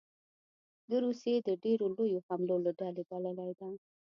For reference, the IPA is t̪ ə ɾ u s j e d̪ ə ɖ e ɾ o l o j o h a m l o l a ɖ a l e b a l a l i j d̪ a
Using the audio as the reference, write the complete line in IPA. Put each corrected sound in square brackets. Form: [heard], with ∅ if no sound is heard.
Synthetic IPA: [d̪] ə ɾ u s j e d̪ ə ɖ e ɾ o l o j o h a m l o l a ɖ a l e b a l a l [a] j d̪ a